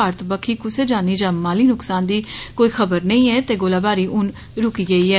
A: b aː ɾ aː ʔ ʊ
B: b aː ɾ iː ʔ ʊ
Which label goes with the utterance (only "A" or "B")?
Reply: B